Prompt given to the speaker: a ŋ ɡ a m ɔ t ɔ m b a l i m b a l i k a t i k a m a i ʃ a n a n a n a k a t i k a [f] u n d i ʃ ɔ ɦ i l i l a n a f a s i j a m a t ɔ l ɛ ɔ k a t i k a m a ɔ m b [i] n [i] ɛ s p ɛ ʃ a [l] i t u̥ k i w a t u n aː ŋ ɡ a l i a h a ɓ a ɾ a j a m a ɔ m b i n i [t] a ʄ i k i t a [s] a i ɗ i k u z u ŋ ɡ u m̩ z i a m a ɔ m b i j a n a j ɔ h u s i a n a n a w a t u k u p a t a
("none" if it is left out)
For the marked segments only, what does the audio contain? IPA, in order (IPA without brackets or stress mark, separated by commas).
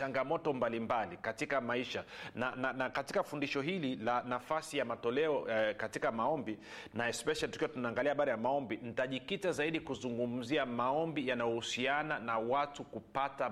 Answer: f, i, a, l, t, z